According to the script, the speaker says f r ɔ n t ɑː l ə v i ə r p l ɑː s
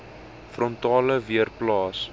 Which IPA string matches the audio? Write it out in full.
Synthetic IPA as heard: f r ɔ n t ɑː l ə v i ə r p l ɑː s